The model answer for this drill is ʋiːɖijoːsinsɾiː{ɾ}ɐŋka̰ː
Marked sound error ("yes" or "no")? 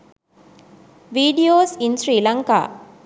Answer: yes